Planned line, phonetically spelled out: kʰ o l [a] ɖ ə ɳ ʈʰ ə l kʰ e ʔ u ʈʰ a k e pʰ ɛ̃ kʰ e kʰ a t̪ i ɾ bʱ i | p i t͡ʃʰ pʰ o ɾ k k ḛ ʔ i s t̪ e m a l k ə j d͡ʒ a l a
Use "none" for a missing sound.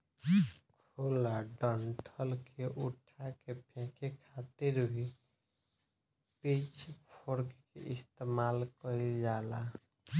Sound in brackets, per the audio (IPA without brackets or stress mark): a